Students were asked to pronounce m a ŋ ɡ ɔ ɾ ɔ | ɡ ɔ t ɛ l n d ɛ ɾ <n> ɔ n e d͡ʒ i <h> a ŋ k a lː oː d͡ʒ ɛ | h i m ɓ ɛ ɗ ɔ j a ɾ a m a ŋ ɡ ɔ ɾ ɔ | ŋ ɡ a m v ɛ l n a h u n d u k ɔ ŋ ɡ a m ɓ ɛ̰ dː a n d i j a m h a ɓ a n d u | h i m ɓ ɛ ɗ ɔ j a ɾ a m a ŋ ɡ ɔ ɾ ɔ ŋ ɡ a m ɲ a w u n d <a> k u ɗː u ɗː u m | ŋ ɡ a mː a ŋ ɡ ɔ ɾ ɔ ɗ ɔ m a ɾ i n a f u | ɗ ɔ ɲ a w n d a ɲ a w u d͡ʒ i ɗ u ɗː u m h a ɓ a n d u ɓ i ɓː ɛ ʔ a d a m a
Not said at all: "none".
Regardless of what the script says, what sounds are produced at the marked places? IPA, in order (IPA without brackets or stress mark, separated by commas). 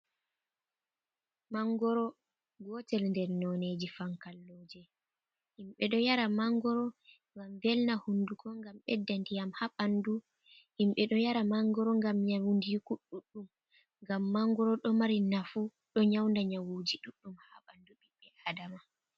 n, f, i